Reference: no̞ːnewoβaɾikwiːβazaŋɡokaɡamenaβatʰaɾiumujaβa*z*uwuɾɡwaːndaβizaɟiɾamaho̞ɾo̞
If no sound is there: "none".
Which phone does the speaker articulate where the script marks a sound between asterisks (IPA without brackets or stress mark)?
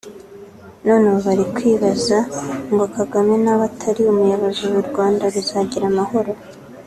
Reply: z